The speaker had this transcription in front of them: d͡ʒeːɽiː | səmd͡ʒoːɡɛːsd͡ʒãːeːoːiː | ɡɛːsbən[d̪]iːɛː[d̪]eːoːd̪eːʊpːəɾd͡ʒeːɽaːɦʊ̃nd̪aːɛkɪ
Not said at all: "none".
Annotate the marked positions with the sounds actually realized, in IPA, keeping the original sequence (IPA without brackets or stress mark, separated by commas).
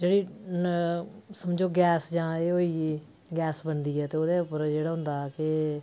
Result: d̪, t̪